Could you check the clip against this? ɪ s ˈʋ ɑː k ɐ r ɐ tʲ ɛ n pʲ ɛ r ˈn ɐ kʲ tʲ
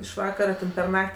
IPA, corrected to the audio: ɪ ʃ ˈʋ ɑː k ɐ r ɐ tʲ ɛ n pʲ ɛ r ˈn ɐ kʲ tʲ